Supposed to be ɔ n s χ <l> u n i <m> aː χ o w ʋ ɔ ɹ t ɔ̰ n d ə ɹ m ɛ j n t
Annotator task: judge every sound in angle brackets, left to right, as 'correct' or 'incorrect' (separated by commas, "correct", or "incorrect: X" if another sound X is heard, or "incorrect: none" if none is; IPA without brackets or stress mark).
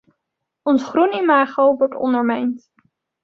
incorrect: r, correct